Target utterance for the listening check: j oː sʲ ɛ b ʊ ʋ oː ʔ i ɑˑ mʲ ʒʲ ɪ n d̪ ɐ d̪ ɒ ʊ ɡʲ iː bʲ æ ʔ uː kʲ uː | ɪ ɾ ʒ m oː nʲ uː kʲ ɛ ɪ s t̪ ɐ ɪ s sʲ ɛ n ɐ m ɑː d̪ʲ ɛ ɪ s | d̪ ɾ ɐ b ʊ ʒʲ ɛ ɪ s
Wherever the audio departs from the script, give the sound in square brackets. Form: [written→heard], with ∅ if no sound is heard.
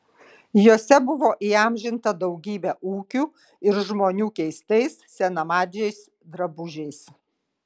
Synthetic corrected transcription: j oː sʲ ɛ b ʊ ʋ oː ʔ i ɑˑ mʲ ʒʲ ɪ n [d̪→t̪] ɐ d̪ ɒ ʊ ɡʲ iː bʲ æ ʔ uː kʲ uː | ɪ ɾ ʒ m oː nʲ uː kʲ ɛ ɪ s t̪ ɐ ɪ s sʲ ɛ n ɐ m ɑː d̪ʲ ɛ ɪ s | d̪ ɾ ɐ b ʊ ʒʲ ɛ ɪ s

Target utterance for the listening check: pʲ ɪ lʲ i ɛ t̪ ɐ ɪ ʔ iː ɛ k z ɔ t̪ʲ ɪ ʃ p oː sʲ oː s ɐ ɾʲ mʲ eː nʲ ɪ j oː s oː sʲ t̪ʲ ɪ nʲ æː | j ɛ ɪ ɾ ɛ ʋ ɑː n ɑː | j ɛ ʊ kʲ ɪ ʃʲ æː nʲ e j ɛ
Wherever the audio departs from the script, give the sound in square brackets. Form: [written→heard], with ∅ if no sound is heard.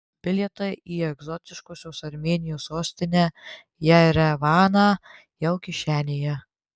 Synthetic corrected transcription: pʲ ɪ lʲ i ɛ t̪ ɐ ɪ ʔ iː ɛ [k→ɡ] z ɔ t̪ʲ ɪ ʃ [p→k] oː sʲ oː s ɐ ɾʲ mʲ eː nʲ ɪ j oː s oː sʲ t̪ʲ ɪ nʲ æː | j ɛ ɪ ɾ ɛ ʋ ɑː n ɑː | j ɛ ʊ kʲ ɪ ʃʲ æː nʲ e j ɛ

